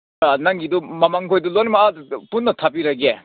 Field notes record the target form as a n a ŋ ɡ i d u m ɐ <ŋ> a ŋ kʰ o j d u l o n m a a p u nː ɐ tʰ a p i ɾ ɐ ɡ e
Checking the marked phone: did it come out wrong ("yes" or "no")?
yes